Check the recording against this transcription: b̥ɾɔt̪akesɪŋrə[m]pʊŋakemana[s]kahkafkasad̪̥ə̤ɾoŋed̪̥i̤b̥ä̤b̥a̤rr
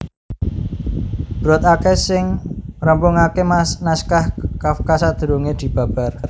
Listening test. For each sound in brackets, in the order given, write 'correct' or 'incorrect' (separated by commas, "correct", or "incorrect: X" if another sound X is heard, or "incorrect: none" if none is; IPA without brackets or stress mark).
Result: correct, correct